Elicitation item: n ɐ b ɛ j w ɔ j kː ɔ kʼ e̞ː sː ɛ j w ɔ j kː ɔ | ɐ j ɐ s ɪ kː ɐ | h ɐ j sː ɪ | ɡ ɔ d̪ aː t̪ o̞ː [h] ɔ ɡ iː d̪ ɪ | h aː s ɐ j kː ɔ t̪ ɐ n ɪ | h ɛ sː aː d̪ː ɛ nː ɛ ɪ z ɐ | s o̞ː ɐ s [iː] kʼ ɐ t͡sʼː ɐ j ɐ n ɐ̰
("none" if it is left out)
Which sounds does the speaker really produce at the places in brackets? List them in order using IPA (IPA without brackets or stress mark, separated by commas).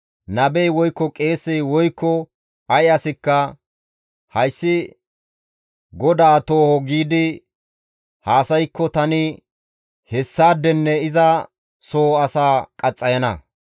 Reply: h, aː